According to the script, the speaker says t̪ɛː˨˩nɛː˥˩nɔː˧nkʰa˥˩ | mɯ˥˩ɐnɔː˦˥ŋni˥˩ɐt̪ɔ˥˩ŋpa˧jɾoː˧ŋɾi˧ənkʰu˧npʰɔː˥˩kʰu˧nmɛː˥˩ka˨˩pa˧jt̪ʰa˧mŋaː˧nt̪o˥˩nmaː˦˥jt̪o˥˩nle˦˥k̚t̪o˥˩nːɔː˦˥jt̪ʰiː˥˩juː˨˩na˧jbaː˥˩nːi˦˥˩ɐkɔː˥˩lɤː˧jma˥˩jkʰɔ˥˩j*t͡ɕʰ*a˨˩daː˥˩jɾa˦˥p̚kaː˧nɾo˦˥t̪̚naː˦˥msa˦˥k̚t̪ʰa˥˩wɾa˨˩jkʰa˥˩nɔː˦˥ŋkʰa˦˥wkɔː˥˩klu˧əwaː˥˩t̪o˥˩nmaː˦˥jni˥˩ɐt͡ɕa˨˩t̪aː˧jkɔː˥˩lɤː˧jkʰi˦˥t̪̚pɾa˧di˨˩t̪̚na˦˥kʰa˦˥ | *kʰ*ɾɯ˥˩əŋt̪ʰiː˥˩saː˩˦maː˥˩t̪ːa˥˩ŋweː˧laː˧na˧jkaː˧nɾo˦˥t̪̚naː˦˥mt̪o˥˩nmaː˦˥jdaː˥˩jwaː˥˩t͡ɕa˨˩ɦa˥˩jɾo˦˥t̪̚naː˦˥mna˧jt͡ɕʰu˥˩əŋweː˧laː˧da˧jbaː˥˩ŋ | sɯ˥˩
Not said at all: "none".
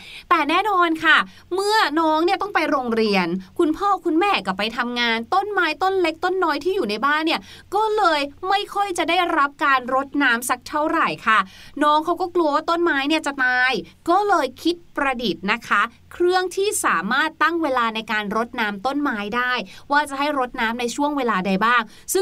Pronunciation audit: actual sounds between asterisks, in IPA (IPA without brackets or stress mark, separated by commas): t͡ɕ, kʰ